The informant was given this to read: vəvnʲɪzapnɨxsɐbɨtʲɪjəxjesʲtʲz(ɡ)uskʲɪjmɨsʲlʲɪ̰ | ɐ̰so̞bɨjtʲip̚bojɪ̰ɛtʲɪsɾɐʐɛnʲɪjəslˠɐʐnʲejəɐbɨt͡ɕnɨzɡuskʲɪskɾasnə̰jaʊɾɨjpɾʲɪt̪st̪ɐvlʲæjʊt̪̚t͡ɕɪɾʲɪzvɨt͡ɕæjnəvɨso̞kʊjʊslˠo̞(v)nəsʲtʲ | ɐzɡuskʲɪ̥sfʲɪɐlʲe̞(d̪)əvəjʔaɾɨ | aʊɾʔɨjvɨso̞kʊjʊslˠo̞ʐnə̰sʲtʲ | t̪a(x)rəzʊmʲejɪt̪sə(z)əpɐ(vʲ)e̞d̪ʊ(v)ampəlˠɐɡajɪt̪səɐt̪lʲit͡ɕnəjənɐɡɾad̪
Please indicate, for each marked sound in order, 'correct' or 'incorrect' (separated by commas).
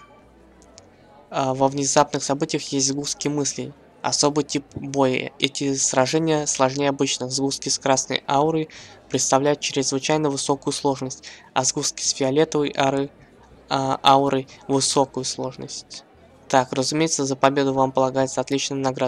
correct, incorrect, incorrect, incorrect, correct, incorrect, correct